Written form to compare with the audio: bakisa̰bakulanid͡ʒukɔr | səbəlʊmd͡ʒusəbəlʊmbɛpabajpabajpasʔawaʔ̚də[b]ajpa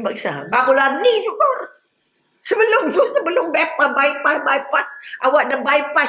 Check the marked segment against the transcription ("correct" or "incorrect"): correct